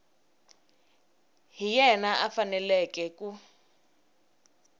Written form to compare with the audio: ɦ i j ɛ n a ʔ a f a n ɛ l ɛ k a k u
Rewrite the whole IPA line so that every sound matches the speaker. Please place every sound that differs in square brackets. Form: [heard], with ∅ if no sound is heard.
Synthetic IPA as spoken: ɦ i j ɛ n a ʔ a f a n ɛ l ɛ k [ɛ] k u